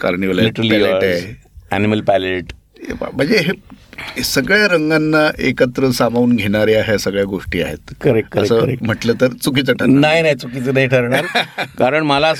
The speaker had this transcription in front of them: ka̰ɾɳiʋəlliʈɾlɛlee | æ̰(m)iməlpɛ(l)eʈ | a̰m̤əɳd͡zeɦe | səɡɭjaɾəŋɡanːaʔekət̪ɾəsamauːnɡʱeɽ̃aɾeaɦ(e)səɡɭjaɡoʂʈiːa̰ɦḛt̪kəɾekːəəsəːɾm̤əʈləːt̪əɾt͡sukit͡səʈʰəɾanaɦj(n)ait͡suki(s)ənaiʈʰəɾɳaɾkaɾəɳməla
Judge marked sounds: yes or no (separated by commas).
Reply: no, yes, yes, yes, no